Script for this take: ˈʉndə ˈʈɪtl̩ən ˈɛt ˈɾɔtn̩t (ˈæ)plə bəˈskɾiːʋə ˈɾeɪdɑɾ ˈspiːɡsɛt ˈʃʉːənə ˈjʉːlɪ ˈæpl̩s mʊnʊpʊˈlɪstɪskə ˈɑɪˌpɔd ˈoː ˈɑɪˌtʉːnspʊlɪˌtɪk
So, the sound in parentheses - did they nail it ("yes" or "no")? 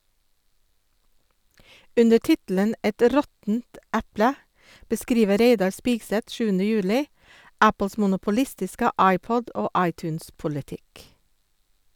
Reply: yes